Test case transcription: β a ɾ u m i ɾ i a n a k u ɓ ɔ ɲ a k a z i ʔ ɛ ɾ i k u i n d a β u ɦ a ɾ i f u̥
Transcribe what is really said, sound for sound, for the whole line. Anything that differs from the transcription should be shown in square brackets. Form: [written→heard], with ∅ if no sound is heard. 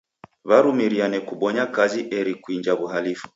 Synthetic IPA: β a ɾ u m i ɾ i a n [a→ɛ] k u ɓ ɔ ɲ a k a z i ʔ ɛ ɾ i k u i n [d→d͡ʒ] a β u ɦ a [ɾ→l] i f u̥